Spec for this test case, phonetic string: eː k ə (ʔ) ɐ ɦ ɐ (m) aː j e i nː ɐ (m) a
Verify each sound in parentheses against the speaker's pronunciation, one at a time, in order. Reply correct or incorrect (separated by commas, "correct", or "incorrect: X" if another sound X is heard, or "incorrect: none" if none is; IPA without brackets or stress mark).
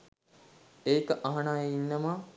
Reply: correct, incorrect: n, correct